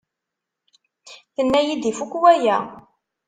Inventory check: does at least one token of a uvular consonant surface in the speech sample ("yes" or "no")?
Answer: no